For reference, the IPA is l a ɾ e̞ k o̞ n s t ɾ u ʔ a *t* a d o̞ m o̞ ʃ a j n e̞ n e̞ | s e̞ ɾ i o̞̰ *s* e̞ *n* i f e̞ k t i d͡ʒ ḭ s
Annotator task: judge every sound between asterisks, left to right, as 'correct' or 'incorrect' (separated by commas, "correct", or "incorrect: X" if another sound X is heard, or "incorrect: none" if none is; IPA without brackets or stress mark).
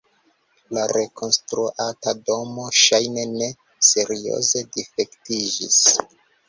correct, incorrect: z, incorrect: d